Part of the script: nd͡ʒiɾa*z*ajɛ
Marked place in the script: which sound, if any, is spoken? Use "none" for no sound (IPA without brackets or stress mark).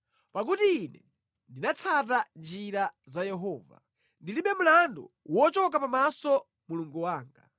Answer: z